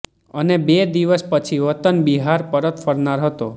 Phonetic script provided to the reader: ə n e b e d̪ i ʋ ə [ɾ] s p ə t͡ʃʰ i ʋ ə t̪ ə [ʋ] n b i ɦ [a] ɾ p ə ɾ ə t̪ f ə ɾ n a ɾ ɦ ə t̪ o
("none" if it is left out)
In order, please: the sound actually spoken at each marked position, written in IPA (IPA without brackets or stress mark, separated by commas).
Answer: none, none, a